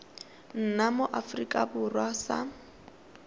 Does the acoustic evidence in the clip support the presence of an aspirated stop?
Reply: no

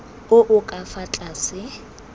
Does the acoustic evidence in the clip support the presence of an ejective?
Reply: yes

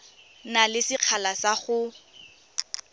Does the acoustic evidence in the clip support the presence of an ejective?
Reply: no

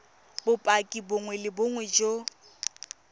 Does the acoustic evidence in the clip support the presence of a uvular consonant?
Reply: no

